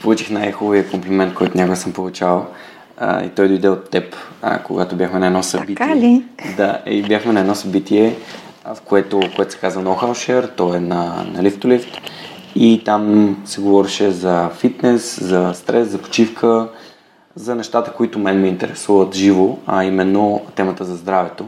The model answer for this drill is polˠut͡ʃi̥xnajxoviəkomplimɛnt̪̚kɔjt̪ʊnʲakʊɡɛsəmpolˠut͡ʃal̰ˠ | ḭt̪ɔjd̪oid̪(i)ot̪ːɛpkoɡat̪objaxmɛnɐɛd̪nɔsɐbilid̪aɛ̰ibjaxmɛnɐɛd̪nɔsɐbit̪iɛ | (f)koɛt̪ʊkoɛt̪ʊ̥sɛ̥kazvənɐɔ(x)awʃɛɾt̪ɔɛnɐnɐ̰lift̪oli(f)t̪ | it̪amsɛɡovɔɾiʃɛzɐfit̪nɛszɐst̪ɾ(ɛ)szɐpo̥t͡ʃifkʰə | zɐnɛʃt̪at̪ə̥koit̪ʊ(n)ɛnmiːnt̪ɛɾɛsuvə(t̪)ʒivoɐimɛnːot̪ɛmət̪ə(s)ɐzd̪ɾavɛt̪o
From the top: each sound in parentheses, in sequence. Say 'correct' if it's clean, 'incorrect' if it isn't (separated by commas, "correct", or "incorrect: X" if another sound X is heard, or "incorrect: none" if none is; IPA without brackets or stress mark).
incorrect: ɛ, correct, correct, correct, correct, incorrect: m, correct, incorrect: z